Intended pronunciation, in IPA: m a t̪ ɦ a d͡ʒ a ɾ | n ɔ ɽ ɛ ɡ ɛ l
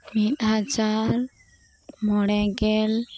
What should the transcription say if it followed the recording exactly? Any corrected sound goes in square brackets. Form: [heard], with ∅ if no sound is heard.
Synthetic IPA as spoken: m [i] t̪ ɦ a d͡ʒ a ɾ | [m] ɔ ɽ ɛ ɡ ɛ l

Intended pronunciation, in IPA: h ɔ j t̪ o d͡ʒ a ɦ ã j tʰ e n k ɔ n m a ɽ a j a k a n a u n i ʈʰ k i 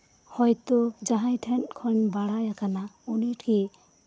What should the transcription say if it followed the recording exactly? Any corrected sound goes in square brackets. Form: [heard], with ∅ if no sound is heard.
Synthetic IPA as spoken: h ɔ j t̪ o d͡ʒ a ɦ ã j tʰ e n [kʰ] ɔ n [b] a ɽ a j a k a n a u n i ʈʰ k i

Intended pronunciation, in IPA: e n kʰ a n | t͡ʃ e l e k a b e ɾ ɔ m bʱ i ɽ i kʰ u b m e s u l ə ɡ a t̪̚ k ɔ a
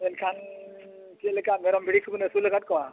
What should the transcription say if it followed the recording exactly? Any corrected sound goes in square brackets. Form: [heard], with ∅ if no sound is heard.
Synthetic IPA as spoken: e n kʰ a n | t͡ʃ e l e k a [m] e ɾ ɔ m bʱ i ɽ i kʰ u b [n] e s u l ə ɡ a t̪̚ k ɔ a

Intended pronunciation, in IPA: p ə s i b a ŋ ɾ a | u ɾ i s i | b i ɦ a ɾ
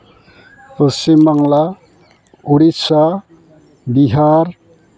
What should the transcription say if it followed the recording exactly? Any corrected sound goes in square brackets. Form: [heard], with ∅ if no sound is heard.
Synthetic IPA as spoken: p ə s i [m] a ŋ [l] a | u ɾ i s [a] | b i ɦ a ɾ

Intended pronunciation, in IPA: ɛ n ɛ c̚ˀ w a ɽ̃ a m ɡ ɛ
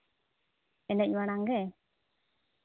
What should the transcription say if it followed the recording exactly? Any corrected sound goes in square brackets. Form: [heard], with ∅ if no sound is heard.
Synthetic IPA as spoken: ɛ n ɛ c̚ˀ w a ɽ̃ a [ŋ] ɡ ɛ

